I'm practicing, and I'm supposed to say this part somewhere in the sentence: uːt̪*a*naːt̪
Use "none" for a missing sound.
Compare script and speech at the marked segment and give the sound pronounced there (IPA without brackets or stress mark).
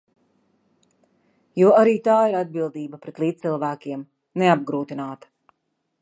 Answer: i